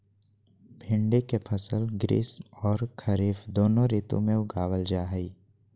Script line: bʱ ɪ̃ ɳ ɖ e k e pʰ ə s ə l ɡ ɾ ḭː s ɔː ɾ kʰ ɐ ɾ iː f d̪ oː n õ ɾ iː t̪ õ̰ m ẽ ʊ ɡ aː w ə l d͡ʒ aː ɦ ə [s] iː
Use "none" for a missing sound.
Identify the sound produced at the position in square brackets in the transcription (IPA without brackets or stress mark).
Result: none